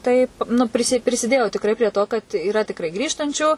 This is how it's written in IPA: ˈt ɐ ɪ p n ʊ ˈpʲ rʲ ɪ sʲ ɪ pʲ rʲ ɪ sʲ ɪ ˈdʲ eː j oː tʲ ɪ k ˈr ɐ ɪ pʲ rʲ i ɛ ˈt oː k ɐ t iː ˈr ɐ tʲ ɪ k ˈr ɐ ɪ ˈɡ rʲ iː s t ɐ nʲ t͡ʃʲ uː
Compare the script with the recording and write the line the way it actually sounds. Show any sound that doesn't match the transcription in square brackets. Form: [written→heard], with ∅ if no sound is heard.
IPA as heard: ˈt ɐ ɪ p n ʊ ˈpʲ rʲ ɪ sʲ ɪ pʲ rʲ ɪ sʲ ɪ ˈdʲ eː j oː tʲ ɪ k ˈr ɐ ɪ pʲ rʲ i ɛ ˈt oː k ɐ t iː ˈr ɐ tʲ ɪ k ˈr ɐ ɪ ˈɡ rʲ iː [s→ʃ] t ɐ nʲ t͡ʃʲ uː